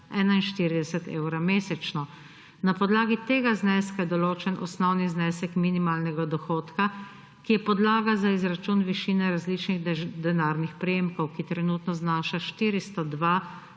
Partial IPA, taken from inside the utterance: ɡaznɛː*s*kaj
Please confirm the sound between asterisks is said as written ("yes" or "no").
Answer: yes